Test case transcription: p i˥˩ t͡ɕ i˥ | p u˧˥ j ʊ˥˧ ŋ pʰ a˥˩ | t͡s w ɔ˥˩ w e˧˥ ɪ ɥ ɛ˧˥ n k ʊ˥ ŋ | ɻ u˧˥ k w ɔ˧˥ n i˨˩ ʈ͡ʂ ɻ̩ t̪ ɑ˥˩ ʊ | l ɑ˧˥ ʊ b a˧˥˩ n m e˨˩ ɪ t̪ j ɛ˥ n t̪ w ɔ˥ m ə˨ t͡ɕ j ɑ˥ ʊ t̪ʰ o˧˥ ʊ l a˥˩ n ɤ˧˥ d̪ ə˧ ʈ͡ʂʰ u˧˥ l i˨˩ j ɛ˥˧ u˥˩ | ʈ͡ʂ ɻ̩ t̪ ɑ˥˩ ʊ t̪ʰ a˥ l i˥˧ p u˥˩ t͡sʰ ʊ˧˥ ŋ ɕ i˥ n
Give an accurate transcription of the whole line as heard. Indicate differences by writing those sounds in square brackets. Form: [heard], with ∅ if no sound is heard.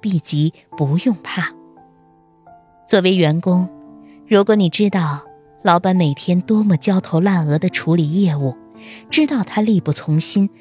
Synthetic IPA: p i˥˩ t͡ɕ [i˧˥] | p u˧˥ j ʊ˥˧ ŋ pʰ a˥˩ | t͡s w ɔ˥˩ w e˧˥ ɪ ɥ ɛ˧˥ n k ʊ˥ ŋ | ɻ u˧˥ k w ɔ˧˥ n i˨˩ ʈ͡ʂ ɻ̩ t̪ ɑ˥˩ ʊ | l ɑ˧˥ ʊ [p] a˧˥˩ n m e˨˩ ɪ [t̪ʰ] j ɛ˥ n t̪ w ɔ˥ m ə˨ t͡ɕ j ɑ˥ ʊ t̪ʰ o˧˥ ʊ l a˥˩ n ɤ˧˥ d̪ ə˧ ʈ͡ʂʰ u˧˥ l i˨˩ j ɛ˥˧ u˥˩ | ʈ͡ʂ ɻ̩ t̪ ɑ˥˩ ʊ t̪ʰ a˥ l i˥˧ p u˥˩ t͡sʰ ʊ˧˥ ŋ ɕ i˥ n